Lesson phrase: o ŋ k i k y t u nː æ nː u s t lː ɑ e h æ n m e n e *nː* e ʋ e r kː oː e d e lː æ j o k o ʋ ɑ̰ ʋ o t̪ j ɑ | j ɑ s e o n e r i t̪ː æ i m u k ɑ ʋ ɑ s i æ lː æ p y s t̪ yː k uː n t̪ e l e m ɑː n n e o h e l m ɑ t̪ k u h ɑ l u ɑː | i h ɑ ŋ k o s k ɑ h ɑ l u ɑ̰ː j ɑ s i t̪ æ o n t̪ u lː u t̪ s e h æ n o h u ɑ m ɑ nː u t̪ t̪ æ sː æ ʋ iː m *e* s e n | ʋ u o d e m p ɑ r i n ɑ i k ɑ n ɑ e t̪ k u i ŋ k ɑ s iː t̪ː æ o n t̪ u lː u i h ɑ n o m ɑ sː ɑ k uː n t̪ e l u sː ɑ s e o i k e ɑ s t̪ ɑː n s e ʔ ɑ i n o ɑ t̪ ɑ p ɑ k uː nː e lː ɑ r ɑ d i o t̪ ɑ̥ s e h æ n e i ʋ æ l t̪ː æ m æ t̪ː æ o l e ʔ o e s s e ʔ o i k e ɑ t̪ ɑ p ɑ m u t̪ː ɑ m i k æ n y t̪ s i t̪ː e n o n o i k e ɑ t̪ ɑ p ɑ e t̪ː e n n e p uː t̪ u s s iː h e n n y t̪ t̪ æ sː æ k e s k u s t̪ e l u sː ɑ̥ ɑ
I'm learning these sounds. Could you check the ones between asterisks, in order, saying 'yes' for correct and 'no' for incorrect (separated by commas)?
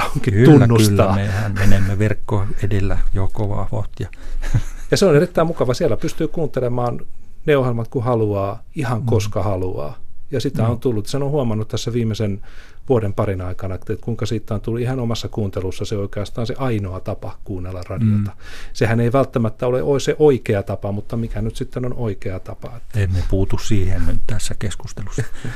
no, yes